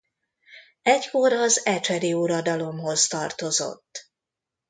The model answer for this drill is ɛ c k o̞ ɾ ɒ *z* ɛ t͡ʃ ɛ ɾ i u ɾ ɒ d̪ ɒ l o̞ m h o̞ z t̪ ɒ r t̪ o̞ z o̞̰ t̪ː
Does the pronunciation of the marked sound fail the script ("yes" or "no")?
no